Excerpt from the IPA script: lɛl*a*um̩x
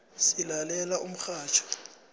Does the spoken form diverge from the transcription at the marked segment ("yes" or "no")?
no